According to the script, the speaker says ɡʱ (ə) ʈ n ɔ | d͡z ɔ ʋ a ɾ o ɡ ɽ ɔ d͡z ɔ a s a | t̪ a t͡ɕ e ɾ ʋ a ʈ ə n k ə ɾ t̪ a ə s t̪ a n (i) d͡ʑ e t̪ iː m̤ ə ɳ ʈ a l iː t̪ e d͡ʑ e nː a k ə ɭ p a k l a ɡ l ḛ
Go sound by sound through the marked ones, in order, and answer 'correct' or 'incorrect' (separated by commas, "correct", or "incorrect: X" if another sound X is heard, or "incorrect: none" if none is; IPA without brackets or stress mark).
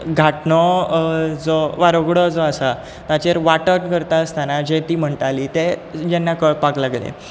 incorrect: a, incorrect: a